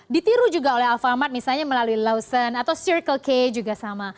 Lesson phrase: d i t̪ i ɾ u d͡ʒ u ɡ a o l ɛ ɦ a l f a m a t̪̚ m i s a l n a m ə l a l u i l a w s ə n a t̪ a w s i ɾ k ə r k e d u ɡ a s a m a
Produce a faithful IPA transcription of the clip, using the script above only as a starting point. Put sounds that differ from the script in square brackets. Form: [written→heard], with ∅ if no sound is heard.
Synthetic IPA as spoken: d i t̪ i ɾ u d͡ʒ u ɡ a o l ɛ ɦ a l f a m a t̪̚ m i s a l [n→ɲ] a m ə l a l u i l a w s ə n a t̪ a w s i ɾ k ə [r→l] k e [d→d͡ʒ] u ɡ a s a m a